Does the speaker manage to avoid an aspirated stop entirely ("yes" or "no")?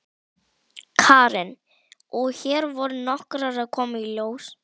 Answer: no